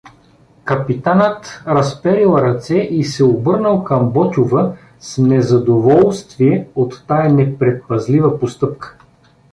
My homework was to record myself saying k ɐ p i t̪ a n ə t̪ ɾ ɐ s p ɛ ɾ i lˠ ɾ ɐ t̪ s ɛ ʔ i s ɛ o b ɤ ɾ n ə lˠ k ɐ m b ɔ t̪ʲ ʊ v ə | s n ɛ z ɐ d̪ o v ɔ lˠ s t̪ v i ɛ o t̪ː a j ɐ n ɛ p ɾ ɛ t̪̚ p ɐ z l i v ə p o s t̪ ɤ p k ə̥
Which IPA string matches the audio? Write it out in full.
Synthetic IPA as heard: k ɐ p i t̪ a n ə t̪ ɾ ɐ s p ɛ ɾ i lˠ ɾ ɐ t̪ s ɛ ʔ i s ɛ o b ɤ ɾ n ə lˠ k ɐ m b ɔ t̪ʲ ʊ v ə | s n ɛ z ɐ d̪ o v ɔ lˠ s t̪ v i ɛ o t̪ː a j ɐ n ɛ p ɾ ɛ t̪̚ p ɐ z l i v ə p o s t̪ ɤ p k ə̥